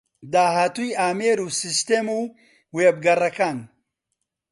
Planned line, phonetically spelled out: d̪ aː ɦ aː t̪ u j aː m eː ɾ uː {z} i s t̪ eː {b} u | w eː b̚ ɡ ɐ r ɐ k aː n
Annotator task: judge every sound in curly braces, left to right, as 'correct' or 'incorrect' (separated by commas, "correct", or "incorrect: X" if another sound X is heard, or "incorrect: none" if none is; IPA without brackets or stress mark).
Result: incorrect: s, incorrect: m